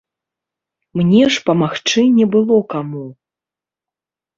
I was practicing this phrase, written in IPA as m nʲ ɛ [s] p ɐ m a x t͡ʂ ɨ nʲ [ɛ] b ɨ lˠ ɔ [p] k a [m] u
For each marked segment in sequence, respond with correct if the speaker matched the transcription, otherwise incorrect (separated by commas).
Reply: incorrect, correct, incorrect, correct